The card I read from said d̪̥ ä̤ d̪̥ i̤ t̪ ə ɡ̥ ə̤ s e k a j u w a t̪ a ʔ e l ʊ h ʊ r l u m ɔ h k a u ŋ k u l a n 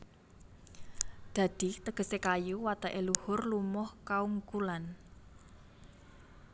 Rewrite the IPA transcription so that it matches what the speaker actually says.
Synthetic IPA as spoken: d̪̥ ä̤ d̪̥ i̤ t̪ ə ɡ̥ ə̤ s e k a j u w a t̪ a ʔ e l u h ʊ r l u m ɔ h k a u ŋ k u l a n